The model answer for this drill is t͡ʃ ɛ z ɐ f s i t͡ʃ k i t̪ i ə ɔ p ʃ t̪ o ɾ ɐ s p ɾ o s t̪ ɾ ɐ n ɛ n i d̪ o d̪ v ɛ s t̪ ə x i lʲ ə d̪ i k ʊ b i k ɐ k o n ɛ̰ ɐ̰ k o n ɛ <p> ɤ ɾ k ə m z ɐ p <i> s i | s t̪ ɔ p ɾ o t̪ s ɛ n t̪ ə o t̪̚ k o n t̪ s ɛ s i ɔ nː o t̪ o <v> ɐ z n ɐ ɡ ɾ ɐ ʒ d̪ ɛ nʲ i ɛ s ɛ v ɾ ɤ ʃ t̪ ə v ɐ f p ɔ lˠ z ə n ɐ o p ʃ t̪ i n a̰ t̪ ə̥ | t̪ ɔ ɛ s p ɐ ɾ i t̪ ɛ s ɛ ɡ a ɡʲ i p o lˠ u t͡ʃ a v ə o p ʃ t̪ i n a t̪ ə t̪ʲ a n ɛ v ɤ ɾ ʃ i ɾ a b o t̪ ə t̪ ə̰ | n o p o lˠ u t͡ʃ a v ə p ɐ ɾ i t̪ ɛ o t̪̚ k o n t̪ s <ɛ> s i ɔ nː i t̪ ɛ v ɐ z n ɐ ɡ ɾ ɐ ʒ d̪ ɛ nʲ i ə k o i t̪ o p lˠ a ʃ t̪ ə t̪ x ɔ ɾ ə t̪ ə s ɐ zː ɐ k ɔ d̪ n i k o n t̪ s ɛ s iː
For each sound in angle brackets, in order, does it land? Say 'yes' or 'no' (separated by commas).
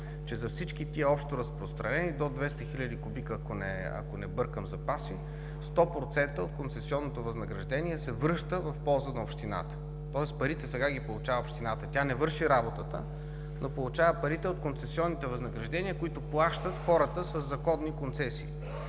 no, no, yes, yes